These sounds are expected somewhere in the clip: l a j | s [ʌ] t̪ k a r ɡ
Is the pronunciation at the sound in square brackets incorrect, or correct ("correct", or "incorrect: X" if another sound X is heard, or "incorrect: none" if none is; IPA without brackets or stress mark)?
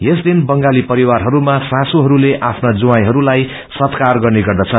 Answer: correct